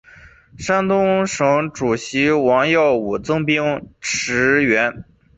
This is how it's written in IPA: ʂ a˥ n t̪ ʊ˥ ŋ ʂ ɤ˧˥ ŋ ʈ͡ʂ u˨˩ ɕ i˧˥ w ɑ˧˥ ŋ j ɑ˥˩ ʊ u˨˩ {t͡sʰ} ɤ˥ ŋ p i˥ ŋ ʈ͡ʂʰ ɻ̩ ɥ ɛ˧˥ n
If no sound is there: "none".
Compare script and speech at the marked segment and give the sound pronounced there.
t͡s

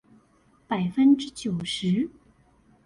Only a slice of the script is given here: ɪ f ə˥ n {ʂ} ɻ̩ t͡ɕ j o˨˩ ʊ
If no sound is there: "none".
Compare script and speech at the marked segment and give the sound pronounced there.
ʈ͡ʂ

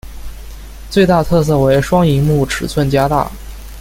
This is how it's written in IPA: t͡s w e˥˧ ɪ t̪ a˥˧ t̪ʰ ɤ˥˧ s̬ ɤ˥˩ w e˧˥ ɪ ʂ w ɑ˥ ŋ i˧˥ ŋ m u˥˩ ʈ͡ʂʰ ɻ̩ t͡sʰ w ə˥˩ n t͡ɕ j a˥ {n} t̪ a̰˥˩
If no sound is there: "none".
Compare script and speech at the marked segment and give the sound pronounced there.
none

